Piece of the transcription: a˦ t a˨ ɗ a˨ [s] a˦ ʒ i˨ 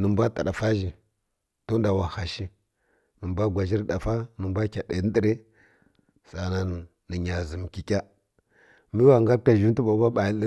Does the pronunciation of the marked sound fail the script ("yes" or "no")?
yes